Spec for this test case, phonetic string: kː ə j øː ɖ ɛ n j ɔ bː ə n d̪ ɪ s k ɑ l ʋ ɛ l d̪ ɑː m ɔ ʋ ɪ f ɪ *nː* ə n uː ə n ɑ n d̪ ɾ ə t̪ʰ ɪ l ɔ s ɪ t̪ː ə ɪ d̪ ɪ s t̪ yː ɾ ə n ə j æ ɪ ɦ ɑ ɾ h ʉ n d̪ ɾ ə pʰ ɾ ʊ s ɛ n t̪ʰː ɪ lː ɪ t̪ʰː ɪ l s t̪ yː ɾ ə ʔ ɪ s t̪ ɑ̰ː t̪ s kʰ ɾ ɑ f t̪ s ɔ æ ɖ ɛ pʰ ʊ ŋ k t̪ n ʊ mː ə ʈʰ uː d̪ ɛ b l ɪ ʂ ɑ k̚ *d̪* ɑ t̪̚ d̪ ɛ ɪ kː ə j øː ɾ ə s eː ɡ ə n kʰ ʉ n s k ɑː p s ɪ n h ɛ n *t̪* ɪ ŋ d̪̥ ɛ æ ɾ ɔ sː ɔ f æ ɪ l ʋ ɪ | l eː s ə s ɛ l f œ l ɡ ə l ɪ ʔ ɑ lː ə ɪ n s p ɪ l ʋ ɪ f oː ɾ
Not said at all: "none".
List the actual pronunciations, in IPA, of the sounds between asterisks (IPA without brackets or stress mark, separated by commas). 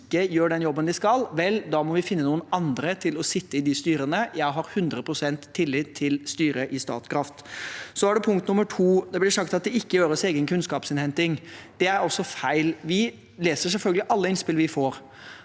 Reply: nː, t̪, t̪